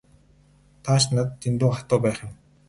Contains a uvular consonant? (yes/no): yes